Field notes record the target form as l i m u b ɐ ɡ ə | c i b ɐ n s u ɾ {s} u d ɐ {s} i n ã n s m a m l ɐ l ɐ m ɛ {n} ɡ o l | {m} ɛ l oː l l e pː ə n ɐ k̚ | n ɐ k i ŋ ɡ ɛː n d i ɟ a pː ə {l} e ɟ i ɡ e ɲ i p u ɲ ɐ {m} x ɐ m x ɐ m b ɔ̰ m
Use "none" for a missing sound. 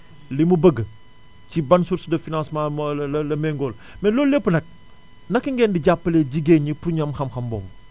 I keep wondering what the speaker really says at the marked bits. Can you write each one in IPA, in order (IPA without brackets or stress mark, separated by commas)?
s, f, ŋ, m, l, m